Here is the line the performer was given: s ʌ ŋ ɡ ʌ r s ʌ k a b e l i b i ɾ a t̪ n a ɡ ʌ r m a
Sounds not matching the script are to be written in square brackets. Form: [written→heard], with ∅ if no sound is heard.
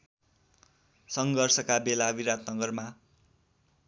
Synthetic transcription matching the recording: s ʌ ŋ ɡ ʌ r s ʌ k a b e l [i→a] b i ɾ a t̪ n [a→ʌ] ɡ ʌ r m a